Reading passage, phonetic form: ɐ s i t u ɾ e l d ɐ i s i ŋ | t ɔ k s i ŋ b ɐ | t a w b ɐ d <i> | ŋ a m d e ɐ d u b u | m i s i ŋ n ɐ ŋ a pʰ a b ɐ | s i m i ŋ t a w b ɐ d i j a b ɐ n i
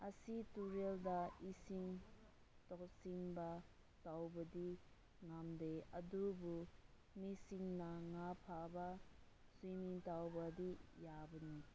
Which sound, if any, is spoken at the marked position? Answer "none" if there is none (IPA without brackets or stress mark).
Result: i